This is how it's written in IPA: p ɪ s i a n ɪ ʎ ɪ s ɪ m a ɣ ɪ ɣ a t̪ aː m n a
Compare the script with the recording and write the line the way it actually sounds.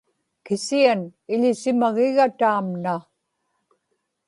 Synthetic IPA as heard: k ɪ s i a n ɪ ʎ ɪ s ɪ m a ɣ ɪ ɣ a t̪ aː m n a